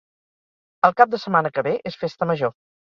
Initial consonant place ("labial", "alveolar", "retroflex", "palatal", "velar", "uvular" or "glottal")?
alveolar